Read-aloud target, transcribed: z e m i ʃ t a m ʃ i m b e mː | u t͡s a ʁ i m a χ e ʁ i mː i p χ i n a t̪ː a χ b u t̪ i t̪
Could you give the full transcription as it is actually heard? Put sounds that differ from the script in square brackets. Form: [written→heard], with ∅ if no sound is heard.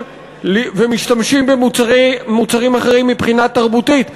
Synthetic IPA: [z→v] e m i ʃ t a m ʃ i m b e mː | u t͡s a ʁ i m a χ e ʁ i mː i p χ i n a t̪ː a [χ→ʁ] b u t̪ i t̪